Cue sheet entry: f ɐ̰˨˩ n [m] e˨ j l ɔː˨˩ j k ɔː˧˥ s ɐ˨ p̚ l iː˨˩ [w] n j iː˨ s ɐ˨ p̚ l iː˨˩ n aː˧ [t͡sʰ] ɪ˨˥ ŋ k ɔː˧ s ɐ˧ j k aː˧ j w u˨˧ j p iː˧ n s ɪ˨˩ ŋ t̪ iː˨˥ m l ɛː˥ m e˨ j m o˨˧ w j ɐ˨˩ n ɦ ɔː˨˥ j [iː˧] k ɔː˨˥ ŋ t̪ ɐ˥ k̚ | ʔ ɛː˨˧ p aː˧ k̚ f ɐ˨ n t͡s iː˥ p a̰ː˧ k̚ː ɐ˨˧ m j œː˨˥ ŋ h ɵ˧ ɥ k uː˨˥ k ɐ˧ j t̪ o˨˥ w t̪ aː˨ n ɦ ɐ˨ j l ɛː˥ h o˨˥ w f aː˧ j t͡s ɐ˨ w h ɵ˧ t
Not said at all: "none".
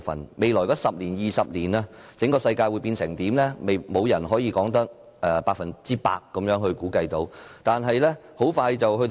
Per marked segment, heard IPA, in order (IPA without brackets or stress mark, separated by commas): m, none, t͡s, iː˧